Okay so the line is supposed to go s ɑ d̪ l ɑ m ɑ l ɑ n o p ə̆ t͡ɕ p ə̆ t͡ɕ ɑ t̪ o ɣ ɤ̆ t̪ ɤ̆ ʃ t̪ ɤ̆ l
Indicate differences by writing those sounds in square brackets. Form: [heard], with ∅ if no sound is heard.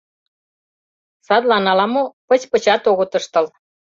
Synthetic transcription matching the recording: s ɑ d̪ l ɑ [n] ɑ l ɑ [m] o p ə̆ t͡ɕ p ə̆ t͡ɕ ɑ t̪ o ɣ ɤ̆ t̪ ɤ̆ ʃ t̪ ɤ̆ l

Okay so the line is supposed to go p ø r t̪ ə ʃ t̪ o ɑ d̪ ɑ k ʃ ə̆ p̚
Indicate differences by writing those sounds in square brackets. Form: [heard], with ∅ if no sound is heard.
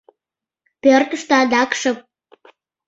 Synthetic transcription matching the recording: p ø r t̪ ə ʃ t̪ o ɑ d̪ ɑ k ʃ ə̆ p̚

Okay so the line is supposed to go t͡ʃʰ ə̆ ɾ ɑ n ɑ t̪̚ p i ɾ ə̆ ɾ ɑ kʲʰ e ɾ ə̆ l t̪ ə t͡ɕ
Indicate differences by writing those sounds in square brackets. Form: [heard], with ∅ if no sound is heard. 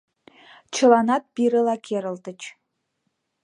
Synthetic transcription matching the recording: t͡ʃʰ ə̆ [l] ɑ n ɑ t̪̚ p i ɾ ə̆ [l] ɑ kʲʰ e ɾ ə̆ l t̪ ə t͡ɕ

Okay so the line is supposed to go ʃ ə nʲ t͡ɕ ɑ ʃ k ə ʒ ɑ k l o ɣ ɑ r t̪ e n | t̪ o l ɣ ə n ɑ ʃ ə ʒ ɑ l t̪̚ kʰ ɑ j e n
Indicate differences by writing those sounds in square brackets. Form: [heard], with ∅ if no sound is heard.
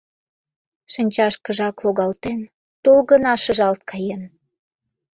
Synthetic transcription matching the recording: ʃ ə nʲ t͡ɕ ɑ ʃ k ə ʒ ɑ k l o ɣ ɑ [l] t̪ e n | t̪ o l ɣ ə n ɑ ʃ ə ʒ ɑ l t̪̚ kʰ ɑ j e n

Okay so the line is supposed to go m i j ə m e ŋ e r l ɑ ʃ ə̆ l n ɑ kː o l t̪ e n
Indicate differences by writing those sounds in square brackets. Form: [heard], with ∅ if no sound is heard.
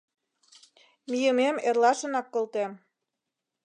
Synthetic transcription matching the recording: m i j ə m e [m] e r l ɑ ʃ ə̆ [∅] n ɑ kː o l t̪ e [m]

